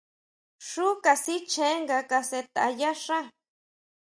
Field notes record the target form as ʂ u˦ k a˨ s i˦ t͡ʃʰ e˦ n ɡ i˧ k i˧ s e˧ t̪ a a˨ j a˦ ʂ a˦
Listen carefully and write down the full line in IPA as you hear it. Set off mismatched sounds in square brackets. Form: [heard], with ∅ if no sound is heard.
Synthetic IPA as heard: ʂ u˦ k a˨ s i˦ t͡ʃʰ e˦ [ŋ] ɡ [a˧] k [a˧] s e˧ t̪ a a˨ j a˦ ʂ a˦